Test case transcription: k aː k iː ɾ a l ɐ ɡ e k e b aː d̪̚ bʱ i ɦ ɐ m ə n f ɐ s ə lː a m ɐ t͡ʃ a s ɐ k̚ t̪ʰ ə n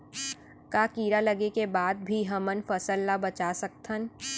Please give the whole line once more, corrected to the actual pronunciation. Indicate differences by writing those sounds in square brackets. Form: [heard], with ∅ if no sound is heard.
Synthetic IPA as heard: k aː k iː ɾ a l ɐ ɡ e k e b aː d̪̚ bʱ i ɦ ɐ m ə n f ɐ s ə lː a [b] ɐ t͡ʃ a s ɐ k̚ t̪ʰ ə n